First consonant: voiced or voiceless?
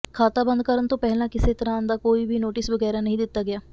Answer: voiceless